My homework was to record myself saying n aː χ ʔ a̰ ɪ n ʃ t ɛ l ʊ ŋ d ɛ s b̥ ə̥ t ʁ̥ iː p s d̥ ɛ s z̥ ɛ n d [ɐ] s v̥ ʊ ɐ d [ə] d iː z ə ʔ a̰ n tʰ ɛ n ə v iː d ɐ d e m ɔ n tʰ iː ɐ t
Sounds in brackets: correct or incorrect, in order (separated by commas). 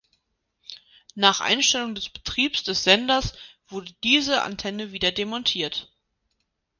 correct, correct